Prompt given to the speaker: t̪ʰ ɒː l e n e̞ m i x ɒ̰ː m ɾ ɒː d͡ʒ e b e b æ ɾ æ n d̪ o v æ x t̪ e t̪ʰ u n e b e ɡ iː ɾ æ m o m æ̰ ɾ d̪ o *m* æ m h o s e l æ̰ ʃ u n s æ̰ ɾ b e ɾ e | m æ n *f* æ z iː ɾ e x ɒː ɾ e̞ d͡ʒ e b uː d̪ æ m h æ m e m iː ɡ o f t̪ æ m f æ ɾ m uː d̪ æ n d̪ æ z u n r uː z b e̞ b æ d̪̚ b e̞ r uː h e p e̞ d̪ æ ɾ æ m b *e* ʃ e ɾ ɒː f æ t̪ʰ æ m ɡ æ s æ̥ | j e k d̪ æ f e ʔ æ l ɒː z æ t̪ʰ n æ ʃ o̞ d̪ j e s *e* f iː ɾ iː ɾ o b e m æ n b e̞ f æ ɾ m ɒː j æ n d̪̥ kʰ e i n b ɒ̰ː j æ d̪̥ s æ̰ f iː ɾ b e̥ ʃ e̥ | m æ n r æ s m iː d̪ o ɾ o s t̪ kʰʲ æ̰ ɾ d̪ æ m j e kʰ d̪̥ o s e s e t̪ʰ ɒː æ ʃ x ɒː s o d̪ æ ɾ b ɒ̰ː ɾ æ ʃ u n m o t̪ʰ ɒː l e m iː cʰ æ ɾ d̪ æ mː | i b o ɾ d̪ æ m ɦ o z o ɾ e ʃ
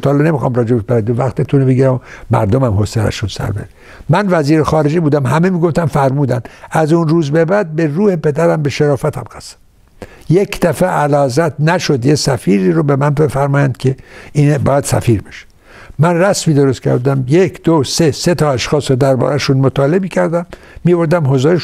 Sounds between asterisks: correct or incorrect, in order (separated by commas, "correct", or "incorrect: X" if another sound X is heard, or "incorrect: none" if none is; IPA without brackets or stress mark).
correct, incorrect: v, correct, incorrect: æ